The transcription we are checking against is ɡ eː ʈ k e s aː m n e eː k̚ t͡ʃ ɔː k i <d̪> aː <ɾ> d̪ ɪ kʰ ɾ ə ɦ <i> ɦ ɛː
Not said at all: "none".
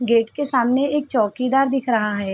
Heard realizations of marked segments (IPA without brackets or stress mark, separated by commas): d̪, ɾ, a